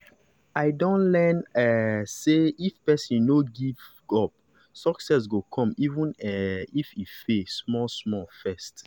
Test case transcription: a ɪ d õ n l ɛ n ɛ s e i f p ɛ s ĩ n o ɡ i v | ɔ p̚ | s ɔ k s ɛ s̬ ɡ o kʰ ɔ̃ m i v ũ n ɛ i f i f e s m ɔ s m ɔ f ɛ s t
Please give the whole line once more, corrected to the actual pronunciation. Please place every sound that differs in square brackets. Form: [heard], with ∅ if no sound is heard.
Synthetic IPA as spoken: a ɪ d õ n l ɛ n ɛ s e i f p ɛ s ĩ n o ɡ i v | ɔ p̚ | s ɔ k s ɛ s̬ ɡ o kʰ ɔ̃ m i v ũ n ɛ i f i f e s m ɔ s m ɔ f ɛ s t